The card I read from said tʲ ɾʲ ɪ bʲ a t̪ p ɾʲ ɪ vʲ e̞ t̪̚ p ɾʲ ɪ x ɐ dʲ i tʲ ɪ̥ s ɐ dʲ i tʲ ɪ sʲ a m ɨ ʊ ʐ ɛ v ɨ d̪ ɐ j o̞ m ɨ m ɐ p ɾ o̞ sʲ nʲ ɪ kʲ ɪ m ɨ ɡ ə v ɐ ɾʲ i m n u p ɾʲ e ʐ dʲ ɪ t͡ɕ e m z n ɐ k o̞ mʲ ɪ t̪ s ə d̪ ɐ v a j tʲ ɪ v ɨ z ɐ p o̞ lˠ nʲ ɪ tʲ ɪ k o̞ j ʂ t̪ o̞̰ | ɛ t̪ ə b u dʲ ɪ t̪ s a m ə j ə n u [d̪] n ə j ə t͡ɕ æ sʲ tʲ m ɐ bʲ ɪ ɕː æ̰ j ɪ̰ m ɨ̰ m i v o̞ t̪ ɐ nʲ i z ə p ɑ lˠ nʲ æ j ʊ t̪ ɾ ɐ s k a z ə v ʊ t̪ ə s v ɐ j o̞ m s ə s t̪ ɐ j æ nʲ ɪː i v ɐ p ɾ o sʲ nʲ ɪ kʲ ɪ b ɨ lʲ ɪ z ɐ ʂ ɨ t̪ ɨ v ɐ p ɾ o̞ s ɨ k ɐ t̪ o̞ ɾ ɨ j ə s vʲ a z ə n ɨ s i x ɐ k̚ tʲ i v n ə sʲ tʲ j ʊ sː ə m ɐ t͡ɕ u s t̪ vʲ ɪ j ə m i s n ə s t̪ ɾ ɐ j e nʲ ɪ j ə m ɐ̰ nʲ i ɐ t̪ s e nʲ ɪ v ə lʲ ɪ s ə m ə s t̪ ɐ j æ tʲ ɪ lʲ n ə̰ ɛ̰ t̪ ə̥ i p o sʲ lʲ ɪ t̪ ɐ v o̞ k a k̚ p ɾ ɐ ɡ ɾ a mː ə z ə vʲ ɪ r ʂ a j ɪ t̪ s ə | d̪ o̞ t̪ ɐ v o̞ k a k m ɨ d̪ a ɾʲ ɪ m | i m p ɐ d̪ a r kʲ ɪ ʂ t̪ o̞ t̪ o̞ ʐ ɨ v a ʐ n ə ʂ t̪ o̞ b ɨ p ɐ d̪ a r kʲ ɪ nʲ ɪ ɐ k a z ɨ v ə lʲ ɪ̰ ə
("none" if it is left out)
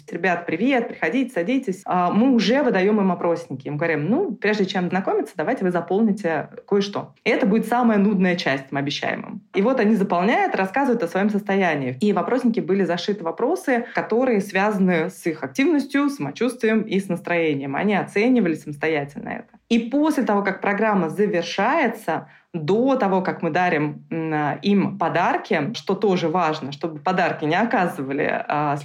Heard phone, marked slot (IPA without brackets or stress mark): d̪